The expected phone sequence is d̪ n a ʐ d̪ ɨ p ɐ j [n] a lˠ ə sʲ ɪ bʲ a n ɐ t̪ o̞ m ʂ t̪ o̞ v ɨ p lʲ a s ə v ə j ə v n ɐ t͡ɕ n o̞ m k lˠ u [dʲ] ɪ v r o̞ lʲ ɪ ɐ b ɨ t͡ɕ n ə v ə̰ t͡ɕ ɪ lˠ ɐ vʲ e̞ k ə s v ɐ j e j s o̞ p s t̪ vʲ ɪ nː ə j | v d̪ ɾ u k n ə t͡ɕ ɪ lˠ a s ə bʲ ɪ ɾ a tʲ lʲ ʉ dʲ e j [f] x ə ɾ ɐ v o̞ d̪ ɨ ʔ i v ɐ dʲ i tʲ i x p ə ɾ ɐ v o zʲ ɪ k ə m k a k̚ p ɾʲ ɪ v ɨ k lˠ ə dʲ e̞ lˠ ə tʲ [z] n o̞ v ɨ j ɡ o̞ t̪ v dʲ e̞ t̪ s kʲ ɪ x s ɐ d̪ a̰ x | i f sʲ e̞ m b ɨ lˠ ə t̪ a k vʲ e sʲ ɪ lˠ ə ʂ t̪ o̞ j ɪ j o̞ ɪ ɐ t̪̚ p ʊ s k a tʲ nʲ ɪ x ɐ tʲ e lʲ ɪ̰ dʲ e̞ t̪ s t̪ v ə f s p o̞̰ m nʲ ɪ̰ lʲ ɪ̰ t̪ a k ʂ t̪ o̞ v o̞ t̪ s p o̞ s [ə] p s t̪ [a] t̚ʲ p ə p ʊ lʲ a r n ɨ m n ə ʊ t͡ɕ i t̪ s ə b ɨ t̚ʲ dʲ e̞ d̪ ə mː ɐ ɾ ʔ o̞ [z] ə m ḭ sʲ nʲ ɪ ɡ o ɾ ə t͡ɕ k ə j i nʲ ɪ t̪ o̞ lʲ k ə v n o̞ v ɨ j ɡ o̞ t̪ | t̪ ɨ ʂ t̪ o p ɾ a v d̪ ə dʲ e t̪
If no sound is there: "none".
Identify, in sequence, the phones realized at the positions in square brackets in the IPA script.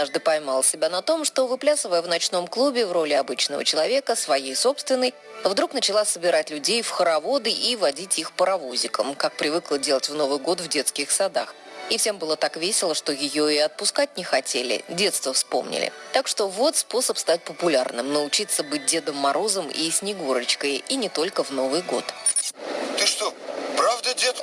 m, bʲ, f, v, ə, a, z

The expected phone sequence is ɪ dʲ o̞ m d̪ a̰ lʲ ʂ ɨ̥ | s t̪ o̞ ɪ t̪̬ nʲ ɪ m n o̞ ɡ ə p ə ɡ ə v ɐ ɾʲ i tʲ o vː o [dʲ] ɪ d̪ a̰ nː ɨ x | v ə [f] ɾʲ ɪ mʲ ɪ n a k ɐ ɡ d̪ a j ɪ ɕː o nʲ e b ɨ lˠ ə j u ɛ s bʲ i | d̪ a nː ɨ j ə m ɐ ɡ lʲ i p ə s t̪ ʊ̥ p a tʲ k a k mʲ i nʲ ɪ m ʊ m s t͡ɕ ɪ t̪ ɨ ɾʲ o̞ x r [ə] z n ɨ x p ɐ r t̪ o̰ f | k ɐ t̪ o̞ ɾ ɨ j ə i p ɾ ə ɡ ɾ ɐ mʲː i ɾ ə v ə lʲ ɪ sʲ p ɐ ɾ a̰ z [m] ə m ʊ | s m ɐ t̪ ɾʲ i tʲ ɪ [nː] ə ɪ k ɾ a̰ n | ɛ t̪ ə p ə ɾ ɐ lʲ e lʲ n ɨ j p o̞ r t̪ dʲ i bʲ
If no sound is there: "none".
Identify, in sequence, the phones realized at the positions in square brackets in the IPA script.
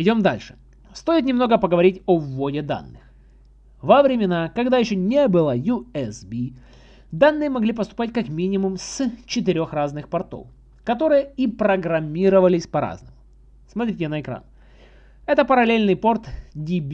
dʲ, v, a, n, n

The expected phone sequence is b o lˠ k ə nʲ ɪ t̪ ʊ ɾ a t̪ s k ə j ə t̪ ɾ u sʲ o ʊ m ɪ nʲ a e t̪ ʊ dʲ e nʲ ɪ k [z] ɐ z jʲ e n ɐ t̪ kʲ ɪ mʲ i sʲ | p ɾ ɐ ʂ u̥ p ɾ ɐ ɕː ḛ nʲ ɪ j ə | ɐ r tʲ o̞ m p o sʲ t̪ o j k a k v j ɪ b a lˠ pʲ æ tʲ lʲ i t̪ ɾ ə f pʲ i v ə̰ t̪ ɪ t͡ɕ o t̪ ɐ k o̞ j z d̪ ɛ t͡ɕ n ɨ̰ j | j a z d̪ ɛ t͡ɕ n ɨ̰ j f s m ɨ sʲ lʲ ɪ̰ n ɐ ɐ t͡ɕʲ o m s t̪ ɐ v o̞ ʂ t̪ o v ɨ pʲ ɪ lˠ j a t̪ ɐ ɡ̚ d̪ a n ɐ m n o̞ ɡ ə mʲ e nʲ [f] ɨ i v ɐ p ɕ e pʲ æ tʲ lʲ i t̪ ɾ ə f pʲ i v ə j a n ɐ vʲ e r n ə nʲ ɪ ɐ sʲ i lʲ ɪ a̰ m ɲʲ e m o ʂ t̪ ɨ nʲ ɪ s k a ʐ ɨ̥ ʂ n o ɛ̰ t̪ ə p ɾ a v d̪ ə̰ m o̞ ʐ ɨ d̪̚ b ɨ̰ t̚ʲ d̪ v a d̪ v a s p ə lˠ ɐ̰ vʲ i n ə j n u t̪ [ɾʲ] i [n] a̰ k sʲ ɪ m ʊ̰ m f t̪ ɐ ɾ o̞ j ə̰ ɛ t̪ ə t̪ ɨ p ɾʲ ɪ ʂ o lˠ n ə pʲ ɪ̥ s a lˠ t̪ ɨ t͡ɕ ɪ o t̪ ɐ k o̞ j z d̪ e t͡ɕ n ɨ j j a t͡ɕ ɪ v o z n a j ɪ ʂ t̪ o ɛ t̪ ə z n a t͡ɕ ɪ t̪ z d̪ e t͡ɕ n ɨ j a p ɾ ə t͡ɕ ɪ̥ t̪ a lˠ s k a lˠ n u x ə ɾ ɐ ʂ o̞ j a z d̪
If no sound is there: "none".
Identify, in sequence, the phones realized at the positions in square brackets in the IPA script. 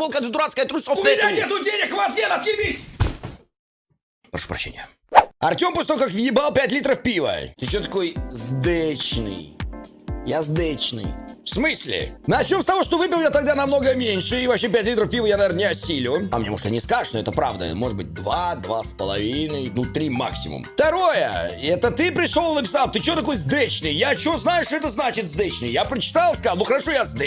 v, ʂ, ɾʲ, m

